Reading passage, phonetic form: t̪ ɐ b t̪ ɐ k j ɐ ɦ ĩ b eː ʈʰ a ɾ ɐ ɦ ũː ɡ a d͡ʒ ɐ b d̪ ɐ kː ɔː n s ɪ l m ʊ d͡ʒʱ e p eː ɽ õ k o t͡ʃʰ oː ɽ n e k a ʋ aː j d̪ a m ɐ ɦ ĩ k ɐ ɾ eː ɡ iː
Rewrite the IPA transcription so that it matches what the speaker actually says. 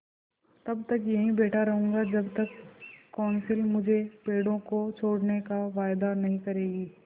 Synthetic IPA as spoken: t̪ ɐ b t̪ ɐ k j ɐ ɦ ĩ b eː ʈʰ a ɾ ɐ ɦ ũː ɡ a d͡ʒ ɐ b t̪ ɐ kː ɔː n s ɪ l m ʊ d͡ʒʱ e p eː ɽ õ k o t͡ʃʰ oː ɽ n e k a ʋ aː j d̪ a n ɐ ɦ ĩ k ɐ ɾ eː ɡ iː